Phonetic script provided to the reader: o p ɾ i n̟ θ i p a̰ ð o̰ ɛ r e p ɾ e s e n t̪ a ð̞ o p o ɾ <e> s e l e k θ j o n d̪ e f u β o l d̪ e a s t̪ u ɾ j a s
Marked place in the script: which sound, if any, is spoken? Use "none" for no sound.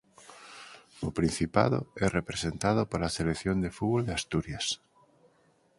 a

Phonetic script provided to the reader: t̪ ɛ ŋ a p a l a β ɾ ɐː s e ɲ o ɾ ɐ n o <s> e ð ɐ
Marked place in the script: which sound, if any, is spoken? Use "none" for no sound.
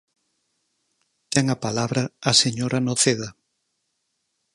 θ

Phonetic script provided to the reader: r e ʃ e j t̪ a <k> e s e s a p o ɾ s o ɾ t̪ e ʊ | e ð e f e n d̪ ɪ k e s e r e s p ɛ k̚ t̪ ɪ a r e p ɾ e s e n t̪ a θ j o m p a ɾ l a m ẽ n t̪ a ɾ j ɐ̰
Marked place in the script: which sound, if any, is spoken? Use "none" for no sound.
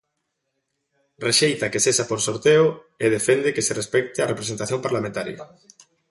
k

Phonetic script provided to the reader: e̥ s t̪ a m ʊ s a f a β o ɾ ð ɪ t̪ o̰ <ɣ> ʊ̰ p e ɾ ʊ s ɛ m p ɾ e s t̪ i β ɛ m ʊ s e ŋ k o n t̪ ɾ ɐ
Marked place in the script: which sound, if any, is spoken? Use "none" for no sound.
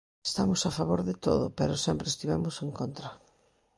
ð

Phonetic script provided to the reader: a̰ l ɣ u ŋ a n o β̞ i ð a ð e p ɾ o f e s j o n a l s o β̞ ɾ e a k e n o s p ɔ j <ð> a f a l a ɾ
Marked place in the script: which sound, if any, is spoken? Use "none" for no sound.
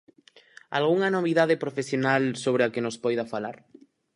ð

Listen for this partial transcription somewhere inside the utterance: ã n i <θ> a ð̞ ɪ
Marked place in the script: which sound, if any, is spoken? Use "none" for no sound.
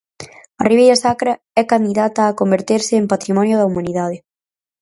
ð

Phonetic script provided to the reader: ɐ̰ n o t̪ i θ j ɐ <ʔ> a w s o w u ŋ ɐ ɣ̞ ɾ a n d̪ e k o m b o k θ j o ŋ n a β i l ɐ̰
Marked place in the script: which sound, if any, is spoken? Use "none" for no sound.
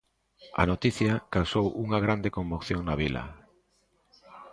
k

